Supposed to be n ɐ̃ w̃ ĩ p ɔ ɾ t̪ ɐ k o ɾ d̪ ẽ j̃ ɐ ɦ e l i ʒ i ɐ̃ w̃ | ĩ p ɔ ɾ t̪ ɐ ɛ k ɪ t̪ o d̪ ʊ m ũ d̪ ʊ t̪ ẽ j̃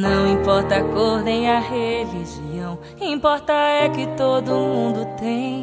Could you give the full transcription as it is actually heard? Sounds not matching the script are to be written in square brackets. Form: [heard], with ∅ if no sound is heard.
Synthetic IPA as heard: n ɐ̃ w̃ ĩ p ɔ ɾ t̪ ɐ k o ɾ d̪ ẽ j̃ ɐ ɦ e l i ʒ i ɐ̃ w̃ | ĩ p ɔ ɾ t̪ ɐ ɛ k ɪ t̪ o d̪ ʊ m ũ d̪ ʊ t̪ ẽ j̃